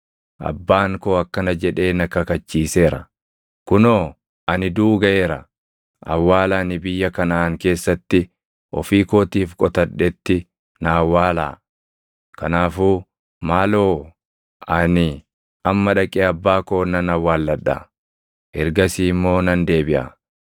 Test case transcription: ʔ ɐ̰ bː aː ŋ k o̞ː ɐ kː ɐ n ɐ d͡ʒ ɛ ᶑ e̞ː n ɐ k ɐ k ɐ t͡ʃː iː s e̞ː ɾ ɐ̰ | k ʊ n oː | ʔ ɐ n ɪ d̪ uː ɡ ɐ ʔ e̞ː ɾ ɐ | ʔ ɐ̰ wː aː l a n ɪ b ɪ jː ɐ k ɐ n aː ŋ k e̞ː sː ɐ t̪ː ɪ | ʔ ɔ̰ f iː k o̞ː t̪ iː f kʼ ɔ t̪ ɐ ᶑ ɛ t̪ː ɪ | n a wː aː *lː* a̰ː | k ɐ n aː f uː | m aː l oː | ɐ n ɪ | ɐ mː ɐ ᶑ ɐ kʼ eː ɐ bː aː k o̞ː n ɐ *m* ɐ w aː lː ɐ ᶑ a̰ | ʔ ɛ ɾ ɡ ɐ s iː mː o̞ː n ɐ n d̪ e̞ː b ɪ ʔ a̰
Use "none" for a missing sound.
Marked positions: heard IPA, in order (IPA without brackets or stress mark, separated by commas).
l, n